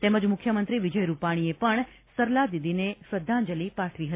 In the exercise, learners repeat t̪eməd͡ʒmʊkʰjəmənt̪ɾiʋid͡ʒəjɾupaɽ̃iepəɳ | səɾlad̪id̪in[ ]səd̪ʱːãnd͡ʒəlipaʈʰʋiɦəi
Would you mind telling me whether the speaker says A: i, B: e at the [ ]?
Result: B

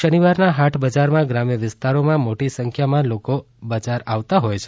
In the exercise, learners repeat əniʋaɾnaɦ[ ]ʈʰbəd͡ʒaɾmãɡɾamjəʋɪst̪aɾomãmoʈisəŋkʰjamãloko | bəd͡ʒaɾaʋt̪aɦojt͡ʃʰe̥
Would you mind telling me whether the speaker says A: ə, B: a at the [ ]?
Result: B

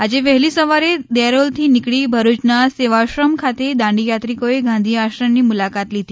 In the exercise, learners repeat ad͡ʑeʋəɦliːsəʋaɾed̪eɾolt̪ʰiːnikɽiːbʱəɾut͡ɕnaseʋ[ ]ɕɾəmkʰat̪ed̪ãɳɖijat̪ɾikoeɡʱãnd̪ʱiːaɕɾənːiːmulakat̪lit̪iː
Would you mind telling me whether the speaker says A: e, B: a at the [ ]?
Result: B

